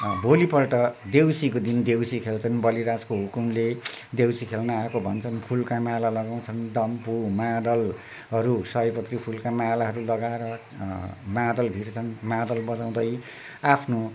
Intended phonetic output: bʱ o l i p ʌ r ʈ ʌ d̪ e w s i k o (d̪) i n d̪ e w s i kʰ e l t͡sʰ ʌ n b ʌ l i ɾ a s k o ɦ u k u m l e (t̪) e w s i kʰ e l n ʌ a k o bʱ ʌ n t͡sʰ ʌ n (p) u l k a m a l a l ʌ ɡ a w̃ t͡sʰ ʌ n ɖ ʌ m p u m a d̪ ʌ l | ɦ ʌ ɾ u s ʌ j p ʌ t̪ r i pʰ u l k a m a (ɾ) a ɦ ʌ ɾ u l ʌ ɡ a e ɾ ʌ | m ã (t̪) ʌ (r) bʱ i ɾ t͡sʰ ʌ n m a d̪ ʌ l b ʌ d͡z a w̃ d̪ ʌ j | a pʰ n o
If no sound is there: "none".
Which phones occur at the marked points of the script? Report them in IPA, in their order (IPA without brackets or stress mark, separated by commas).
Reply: d̪, d̪, pʰ, l, d̪, l